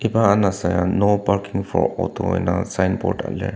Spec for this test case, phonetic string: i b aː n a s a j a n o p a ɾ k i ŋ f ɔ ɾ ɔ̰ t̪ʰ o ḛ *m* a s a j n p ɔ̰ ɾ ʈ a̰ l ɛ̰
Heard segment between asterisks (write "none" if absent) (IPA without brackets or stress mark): n